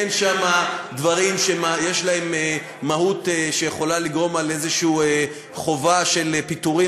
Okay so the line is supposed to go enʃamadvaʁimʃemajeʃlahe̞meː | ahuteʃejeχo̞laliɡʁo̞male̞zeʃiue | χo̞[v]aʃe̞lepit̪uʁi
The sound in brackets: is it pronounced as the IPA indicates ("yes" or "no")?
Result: yes